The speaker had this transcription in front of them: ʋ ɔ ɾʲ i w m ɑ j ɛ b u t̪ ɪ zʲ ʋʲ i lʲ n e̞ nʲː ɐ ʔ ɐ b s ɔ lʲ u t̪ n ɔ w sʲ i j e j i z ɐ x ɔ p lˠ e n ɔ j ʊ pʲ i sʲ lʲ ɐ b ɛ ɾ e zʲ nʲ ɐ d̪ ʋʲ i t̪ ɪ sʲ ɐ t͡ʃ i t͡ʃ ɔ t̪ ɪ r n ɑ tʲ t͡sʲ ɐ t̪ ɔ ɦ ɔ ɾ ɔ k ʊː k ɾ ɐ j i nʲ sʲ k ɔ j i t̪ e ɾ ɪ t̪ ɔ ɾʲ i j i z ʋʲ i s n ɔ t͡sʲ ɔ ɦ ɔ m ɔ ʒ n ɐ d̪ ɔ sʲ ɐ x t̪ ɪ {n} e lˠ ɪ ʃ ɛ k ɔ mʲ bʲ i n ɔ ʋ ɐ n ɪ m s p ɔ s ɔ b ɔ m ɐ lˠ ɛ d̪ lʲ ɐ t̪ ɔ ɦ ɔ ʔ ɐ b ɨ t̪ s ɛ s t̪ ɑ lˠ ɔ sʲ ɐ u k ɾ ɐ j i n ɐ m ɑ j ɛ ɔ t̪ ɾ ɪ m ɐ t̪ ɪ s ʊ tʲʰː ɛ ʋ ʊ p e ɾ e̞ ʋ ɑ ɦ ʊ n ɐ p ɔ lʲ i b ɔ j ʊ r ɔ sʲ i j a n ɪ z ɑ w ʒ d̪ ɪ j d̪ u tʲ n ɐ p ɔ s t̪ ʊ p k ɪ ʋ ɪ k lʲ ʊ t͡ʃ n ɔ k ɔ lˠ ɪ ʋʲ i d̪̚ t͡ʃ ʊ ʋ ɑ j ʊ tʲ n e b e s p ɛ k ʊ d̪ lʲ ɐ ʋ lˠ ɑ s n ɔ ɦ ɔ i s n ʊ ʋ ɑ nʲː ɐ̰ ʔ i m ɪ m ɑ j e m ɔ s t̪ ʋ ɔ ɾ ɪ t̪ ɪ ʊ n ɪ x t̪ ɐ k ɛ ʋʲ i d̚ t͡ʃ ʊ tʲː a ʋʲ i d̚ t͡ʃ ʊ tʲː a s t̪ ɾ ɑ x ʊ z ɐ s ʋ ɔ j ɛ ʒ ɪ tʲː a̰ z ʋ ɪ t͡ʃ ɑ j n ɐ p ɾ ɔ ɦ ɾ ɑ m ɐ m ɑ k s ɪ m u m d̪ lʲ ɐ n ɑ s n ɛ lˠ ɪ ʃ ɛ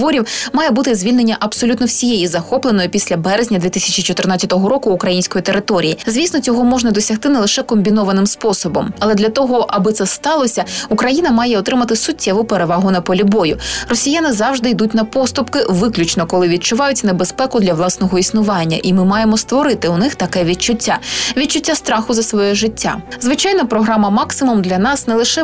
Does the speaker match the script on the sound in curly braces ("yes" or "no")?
yes